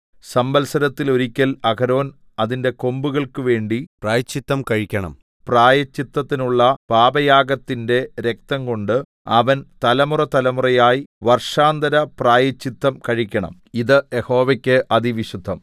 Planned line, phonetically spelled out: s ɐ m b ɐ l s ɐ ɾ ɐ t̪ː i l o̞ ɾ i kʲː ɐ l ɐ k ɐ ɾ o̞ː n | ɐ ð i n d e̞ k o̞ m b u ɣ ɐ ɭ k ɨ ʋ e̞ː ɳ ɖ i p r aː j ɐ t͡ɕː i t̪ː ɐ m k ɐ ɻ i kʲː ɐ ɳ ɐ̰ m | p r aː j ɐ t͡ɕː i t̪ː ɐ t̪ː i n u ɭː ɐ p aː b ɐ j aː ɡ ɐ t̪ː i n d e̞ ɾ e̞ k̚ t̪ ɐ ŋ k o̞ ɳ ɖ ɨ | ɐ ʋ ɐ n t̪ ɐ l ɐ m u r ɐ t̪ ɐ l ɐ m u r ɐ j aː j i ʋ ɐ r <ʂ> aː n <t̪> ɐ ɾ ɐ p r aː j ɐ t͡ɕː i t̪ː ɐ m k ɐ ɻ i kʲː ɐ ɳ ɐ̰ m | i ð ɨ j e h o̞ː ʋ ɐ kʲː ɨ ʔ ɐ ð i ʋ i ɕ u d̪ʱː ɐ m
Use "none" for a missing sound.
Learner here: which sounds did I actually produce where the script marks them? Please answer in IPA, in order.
ʂ, d̪

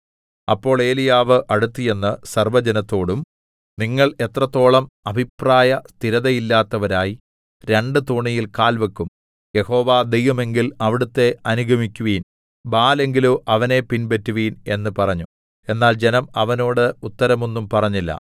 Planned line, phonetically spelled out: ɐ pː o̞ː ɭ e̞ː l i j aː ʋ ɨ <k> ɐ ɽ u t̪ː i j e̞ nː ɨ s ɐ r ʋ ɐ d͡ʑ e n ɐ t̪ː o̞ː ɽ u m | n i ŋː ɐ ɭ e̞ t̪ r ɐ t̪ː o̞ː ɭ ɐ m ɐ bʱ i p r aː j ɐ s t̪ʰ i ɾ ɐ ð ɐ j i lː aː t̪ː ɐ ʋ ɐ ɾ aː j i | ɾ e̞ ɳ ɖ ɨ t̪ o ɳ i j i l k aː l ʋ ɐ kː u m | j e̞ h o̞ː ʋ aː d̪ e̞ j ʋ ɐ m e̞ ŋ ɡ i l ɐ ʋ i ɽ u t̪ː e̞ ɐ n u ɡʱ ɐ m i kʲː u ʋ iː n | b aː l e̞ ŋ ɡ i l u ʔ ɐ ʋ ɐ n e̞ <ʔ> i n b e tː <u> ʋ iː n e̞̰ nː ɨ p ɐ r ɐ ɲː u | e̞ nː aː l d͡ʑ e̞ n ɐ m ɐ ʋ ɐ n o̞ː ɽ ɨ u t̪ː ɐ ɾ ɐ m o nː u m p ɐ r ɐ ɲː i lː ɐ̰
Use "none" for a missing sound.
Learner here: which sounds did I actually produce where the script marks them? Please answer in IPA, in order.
ʔ, p, u

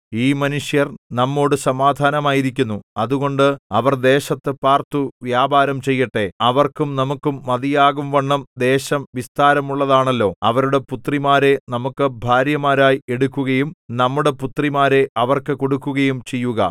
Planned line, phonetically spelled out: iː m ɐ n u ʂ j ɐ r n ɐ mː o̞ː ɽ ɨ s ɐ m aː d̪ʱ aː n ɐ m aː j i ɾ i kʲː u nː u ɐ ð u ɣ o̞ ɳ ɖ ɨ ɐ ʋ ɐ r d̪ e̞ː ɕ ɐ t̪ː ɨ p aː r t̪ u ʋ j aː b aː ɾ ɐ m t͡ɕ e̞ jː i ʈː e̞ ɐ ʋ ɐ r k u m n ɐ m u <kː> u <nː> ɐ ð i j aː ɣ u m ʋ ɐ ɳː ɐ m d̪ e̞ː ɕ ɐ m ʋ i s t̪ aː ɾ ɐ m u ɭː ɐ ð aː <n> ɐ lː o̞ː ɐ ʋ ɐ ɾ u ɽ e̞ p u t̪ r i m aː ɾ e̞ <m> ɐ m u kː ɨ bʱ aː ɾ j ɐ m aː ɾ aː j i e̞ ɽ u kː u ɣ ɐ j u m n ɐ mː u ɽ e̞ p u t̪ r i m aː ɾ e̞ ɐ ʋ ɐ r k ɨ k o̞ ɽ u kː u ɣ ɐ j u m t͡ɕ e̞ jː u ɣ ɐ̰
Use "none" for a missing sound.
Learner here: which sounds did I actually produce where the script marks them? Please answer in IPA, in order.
kː, mː, ɳ, n

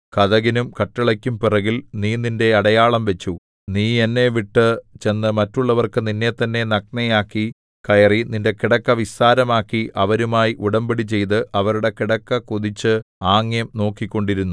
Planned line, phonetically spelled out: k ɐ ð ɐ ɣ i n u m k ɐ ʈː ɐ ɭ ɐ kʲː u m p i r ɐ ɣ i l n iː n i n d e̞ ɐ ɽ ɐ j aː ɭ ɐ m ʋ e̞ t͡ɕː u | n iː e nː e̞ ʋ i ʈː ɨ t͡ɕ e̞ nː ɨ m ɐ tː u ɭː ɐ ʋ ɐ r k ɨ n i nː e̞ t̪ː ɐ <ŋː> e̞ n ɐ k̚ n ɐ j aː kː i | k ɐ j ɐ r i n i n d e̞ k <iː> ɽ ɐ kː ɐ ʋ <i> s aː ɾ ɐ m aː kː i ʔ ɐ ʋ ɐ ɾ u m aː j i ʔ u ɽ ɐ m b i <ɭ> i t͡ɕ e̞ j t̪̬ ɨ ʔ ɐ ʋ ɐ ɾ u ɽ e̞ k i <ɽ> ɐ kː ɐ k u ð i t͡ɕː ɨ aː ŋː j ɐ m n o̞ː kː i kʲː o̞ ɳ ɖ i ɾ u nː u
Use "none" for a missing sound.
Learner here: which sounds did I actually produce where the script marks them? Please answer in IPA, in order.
nː, i, i, ɽ, ɽ

